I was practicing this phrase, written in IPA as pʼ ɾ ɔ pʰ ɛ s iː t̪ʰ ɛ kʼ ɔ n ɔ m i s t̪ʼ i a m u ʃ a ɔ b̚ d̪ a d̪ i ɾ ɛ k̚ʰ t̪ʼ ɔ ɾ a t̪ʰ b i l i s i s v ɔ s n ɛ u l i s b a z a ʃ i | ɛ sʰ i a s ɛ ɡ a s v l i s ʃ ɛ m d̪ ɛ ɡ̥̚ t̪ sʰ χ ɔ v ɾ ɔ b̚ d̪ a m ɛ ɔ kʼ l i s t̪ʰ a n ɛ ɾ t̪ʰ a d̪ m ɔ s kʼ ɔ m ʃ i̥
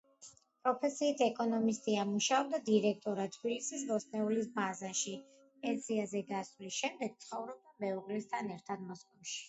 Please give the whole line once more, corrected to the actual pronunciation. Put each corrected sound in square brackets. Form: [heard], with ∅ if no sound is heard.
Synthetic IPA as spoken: pʼ ɾ ɔ pʰ ɛ s iː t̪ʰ ɛ kʼ ɔ n ɔ m i s t̪ʼ i a m u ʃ a ɔ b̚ d̪ a d̪ i ɾ ɛ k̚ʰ t̪ʼ ɔ ɾ a t̪ʰ b i l i s i s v ɔ s n ɛ u l i s b a z a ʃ i | ɛ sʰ i a [z] ɛ ɡ a s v l i s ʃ ɛ m d̪ ɛ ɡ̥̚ t̪ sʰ χ ɔ v ɾ ɔ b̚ d̪ a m ɛ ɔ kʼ l i s t̪ʰ a n ɛ ɾ t̪ʰ a d̪ m ɔ s kʼ ɔ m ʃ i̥